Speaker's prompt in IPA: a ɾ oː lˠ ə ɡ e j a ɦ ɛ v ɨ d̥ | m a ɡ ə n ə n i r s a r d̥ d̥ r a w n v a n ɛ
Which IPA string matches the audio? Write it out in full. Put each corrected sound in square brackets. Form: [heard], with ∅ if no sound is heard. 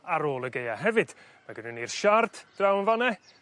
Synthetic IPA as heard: a ɾ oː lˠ ə ɡ e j a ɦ ɛ v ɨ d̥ | m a ɡ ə n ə n i r [ʃ] a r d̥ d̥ r a w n v a n ɛ